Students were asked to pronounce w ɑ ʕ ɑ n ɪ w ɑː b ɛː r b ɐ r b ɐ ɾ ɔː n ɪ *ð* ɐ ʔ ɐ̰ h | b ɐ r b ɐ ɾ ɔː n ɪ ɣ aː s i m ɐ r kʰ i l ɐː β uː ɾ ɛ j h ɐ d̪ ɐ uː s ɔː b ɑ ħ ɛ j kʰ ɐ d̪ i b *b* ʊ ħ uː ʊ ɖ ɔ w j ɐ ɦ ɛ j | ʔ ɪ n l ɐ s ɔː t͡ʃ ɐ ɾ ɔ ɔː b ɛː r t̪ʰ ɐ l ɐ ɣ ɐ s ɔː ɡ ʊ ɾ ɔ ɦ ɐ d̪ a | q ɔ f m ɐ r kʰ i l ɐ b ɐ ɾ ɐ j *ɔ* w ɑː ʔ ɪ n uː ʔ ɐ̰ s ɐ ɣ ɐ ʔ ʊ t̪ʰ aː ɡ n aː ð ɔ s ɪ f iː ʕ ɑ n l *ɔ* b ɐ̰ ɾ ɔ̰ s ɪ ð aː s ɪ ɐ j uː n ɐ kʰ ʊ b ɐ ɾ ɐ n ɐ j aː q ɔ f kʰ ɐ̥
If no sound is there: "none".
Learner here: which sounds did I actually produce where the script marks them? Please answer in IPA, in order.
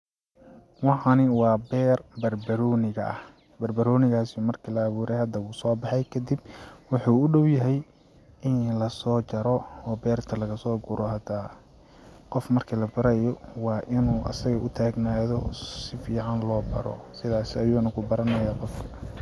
ɣ, w, ɔ, ɔː

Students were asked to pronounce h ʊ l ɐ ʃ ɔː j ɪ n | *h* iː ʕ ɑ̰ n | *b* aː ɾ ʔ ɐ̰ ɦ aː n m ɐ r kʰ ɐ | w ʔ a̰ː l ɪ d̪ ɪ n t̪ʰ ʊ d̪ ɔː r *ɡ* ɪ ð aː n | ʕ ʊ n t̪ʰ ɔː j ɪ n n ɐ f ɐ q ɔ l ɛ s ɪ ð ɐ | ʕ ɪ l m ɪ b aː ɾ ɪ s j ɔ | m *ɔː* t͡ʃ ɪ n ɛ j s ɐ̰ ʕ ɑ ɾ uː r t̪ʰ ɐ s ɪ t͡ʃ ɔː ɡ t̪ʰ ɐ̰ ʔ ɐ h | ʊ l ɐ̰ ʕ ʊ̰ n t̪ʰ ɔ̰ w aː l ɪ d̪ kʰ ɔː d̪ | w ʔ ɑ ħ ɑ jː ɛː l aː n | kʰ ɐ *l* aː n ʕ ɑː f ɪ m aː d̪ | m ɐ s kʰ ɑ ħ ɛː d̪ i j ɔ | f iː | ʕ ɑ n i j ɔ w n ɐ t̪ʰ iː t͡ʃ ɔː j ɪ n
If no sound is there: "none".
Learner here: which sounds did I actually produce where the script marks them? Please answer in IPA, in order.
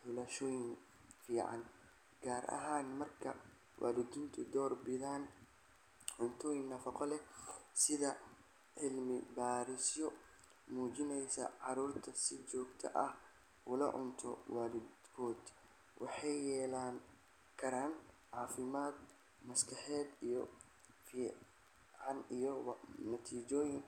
f, ɡ, b, uː, ɾ

